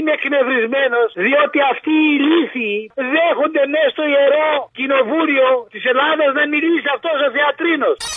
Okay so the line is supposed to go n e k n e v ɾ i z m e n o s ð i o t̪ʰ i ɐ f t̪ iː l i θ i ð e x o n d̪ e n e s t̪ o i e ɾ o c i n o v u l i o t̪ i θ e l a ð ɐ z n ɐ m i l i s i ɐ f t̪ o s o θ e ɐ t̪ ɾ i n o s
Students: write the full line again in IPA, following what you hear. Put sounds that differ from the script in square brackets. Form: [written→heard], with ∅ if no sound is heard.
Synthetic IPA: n e k n e v ɾ i z m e n o s ð i o [t̪ʰ→t̪] i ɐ f t̪ iː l i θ i ð e x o n d̪ e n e s t̪ o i e ɾ o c i n o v u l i o t̪ i [θ→s] e l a ð ɐ z n ɐ m i l i s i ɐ f t̪ o s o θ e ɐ t̪ ɾ i n o s